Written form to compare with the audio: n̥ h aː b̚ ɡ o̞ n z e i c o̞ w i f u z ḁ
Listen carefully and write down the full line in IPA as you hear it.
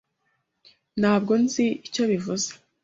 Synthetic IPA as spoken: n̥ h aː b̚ ɡ o̞ n z i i c o̞ β i v u z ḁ